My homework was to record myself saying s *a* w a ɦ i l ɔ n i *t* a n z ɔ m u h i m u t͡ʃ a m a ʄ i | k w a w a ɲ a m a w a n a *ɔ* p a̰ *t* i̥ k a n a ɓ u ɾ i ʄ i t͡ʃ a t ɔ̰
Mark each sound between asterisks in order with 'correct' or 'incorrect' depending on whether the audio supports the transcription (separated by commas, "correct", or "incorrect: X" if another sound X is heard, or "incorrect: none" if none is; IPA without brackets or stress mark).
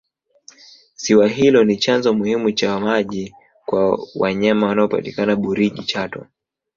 incorrect: i, incorrect: t͡ʃ, correct, correct